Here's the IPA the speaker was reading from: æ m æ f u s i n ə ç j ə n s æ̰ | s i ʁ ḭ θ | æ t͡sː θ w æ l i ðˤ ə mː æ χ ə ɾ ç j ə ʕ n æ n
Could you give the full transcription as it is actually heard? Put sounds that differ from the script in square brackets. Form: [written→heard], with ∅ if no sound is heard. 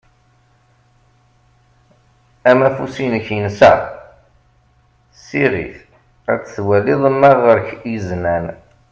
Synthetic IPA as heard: æ m æ f u s i n ə ç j ə n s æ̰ | s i ʁ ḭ θ | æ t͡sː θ w æ l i ðˤ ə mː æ [χ→ʁ] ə ɾ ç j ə [ʕ→z] n æ n

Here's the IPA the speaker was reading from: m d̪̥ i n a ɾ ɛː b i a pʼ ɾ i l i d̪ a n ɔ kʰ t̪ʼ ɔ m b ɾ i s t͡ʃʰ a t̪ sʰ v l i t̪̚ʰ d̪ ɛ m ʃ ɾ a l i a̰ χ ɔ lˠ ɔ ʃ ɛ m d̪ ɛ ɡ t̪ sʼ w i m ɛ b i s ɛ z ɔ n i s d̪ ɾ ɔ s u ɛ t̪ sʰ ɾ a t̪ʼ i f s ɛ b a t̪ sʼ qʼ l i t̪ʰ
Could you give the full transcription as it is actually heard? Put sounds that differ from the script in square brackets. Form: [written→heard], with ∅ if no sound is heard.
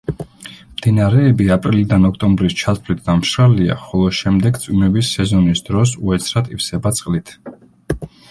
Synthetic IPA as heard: m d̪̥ i n a ɾ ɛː b i a pʼ ɾ i l i d̪ a n ɔ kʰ t̪ʼ ɔ m b ɾ i s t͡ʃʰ a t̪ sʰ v l i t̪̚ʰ d̪ [ɛ→a] m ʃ ɾ a l i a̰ χ ɔ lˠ ɔ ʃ ɛ m d̪ ɛ ɡ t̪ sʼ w i m ɛ b i s ɛ z ɔ n i s d̪ ɾ ɔ s u ɛ t̪ sʰ ɾ a t̪ʼ i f s ɛ b a t̪ sʼ qʼ l i t̪ʰ

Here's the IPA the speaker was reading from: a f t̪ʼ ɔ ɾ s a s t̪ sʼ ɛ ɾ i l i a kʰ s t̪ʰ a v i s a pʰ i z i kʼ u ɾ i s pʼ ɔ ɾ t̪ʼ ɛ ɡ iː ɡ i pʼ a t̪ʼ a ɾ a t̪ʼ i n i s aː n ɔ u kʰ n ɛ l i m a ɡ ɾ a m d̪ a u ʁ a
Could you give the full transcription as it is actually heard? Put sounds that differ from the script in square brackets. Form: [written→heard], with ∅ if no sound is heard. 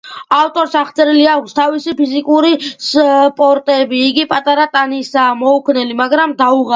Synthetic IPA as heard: a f t̪ʼ ɔ ɾ s a [s→χ] t̪ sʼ ɛ ɾ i l i a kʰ s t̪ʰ a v i s [a→i] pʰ i z i kʼ u ɾ i s pʼ ɔ ɾ t̪ʼ ɛ [ɡ→b] iː ɡ i pʼ a t̪ʼ a ɾ a t̪ʼ [i→a] n i s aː [n→m] ɔ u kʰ n ɛ l i m a ɡ ɾ a m d̪ a u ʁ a

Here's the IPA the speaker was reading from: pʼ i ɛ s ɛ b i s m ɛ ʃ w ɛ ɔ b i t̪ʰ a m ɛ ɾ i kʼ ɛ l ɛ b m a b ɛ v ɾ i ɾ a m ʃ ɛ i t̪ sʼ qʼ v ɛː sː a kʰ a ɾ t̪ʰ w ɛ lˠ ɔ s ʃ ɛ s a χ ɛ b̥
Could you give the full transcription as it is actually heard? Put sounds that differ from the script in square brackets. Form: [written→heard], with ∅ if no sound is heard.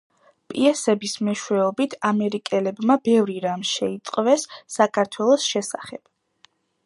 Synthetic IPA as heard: pʼ i ɛ s ɛ b i s m ɛ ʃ w ɛ ɔ b i t̪ʰ a m ɛ ɾ i kʼ ɛ l ɛ b m a b ɛ v ɾ i ɾ a m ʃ ɛ i t̪ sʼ qʼ v [ɛː→ɛ] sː a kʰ a ɾ t̪ʰ w ɛ lˠ ɔ s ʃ ɛ s a χ ɛ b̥

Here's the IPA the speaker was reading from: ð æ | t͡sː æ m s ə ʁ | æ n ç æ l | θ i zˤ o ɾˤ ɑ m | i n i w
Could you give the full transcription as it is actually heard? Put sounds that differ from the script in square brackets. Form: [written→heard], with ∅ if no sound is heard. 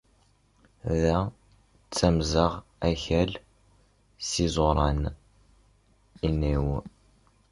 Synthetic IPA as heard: ð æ | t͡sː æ m [s→z] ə ʁ | æ [n→∅] ç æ l | [θ→s] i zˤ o ɾˤ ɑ [m→n] | i n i w

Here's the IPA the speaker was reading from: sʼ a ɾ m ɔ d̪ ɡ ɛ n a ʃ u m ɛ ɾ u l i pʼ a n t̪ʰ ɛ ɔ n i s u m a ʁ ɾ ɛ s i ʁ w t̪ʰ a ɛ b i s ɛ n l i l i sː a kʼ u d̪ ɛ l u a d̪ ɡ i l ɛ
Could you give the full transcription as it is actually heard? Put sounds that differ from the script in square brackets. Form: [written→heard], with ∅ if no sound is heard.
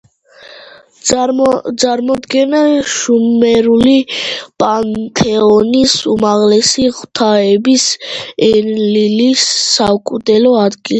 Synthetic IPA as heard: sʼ a ɾ m ɔ d̪ ɡ ɛ n a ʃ u m ɛ ɾ u l i pʼ a n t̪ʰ ɛ ɔ n i s u m a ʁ [ɾ→l] ɛ s i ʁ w t̪ʰ a ɛ b i s ɛ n l i l i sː a kʼ u d̪ ɛ l [u→ɔ] a d̪ ɡ i l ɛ

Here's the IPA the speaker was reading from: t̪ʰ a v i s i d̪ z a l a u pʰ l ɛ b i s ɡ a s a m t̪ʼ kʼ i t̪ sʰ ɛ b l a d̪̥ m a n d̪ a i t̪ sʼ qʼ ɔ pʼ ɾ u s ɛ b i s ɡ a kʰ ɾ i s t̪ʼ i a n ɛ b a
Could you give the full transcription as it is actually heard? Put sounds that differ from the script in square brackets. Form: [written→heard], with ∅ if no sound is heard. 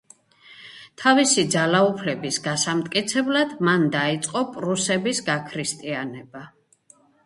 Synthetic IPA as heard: t̪ʰ a v i s i d̪ z a l a u pʰ l ɛ b i s ɡ a s a m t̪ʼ kʼ i t̪ sʰ ɛ b l a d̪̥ m a n d̪ a i t̪ sʼ qʼ ɔ pʼ ɾ u s ɛ b i s ɡ a kʰ ɾ i s t̪ʼ i a n ɛ b a

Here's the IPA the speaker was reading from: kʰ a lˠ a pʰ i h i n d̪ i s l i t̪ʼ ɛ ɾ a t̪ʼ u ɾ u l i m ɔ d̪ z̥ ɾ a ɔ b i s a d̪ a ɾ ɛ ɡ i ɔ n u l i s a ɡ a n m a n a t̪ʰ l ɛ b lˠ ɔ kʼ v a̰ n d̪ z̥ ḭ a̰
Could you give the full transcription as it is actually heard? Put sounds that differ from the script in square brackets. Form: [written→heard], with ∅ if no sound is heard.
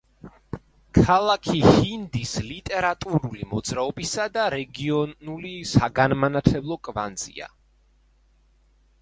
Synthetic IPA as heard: kʰ a lˠ a [pʰ→kʰ] i h i n d̪ i s l i t̪ʼ ɛ ɾ a t̪ʼ u ɾ u l i m ɔ d̪ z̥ ɾ a ɔ b i s a d̪ a ɾ ɛ ɡ i ɔ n u l i s a ɡ a n m a n a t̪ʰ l ɛ b lˠ ɔ kʼ v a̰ n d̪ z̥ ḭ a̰

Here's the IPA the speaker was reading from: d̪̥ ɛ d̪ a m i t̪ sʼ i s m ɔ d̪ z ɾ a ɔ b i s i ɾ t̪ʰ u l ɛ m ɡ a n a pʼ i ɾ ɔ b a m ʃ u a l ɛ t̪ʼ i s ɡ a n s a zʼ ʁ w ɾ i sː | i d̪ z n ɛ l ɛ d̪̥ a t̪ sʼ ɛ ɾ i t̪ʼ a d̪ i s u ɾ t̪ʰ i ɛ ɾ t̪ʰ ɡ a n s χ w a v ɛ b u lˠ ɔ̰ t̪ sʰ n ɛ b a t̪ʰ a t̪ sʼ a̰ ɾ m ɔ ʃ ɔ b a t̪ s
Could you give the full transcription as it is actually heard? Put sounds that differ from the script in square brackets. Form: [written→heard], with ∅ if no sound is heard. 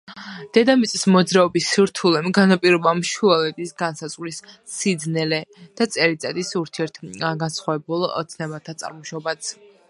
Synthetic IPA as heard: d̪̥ ɛ d̪ a m i t̪ sʼ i s m ɔ d̪ z ɾ a ɔ b i s i ɾ t̪ʰ u l ɛ m ɡ a n a pʼ i ɾ ɔ b a m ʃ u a l ɛ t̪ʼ i s ɡ a n s a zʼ ʁ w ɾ i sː | i d̪ z n ɛ l ɛ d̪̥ a t̪ sʼ ɛ ɾ i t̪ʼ a d̪ i s u ɾ t̪ʰ i ɛ ɾ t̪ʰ ɡ a n s χ w a v ɛ b u lˠ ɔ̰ t̪ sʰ n ɛ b a t̪ʰ a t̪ sʼ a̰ ɾ m ɔ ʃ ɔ b a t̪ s

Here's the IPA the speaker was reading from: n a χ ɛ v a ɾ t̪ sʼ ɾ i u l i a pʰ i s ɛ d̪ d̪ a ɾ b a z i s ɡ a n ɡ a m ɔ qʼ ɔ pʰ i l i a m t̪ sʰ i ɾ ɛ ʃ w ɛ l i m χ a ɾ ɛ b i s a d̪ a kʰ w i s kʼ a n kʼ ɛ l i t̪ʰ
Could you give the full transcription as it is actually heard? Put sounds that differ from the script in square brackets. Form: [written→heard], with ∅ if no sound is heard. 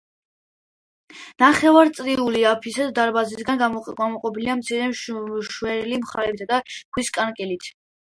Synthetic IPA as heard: n a χ ɛ v a ɾ t̪ sʼ ɾ i u l i a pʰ i s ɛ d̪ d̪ a ɾ b a z i s ɡ a n ɡ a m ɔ qʼ ɔ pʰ i l i a m t̪ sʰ i ɾ ɛ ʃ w ɛ l i m χ a ɾ ɛ b i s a d̪ a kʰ w i s kʼ a n kʼ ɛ l i t̪ʰ

